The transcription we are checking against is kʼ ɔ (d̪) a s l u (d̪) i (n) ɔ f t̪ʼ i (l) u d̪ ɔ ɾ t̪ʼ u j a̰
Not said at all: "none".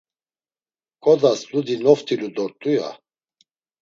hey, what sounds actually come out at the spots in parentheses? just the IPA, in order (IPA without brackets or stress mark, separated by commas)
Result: d̪, d̪, n, l